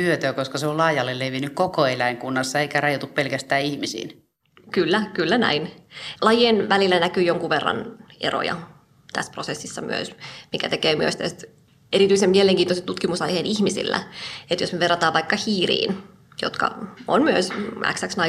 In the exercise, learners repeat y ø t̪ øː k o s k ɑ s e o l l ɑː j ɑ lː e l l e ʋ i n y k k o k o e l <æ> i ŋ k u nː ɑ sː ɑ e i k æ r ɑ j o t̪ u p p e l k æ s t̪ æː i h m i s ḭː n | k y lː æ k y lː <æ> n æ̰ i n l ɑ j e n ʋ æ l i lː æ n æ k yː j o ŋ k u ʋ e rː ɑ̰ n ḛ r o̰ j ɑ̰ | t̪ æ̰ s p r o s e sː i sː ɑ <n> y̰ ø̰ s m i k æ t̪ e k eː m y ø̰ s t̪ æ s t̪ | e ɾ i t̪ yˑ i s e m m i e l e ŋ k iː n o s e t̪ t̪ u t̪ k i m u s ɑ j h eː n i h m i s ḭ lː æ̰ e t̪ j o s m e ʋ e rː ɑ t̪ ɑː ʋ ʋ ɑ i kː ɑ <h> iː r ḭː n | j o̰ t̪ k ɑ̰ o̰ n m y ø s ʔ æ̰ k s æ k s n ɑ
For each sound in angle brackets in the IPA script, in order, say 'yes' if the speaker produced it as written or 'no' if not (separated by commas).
yes, yes, no, yes